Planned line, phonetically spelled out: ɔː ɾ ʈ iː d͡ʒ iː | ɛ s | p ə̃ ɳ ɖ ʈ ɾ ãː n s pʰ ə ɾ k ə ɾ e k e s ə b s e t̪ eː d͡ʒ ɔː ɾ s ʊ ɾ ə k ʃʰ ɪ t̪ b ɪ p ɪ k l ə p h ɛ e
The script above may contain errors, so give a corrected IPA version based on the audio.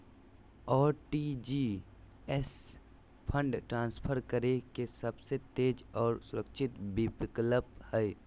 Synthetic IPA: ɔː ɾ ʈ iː d͡ʒ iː | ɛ s | pʰ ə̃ ɳ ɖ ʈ ɾ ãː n s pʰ ə ɾ k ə ɾ e k e s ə b s e t̪ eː d͡ʒ ɔː ɾ s ʊ ɾ ə k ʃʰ ɪ t̪ b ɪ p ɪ k l ə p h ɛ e